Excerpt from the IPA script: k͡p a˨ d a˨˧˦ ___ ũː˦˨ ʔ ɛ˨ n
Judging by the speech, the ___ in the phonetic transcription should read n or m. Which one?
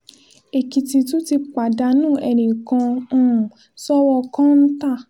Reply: n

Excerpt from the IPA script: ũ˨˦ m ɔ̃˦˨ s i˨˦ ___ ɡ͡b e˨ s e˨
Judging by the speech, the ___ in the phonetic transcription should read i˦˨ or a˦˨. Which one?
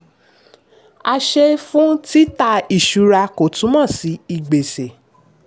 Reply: i˦˨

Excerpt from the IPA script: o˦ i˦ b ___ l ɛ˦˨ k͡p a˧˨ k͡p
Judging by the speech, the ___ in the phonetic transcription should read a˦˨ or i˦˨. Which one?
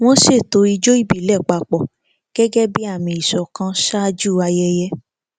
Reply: i˦˨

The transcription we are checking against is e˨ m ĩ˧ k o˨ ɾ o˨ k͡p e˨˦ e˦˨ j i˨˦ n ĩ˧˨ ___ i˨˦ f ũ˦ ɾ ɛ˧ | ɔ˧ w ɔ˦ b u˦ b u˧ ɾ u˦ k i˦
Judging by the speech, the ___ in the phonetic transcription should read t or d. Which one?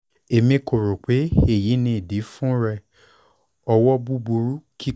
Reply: d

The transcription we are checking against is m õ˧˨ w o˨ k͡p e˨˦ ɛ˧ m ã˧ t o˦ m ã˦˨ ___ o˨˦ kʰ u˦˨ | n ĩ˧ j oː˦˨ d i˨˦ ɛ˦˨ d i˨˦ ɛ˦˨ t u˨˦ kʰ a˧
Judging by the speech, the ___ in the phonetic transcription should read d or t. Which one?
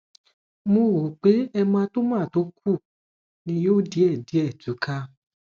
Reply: t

